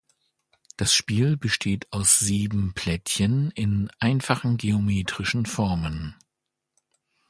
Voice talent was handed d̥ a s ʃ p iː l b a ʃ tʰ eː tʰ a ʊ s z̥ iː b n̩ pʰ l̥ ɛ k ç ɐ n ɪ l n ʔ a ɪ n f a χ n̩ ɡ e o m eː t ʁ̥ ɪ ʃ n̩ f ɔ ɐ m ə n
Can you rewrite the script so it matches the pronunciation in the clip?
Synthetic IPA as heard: d̥ a s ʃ p iː l b ə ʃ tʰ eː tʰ a ʊ s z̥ iː b m̩ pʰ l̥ ɛ t ç ə n ɪ n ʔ a ɪ n f a χ n̩ ɡ e o m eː t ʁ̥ ɪ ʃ n̩ f ɔ ɐ m ə n